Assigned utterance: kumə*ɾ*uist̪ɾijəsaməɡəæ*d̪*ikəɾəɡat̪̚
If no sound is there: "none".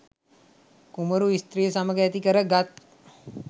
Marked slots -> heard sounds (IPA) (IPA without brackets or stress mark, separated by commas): ɾ, t̪